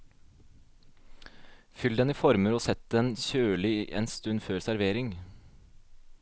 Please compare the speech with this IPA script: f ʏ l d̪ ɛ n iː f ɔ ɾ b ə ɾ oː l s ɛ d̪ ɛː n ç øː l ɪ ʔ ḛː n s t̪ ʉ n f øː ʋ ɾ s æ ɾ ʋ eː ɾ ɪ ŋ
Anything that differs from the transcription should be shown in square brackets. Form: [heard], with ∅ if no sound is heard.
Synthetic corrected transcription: f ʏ l d̪ ɛ n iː f ɔ ɾ [m] ə ɾ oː [∅] s ɛ [t̪] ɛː n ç øː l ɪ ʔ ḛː n s t̪ ʉ n f øː [∅] ɾ s æ ɾ ʋ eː ɾ ɪ ŋ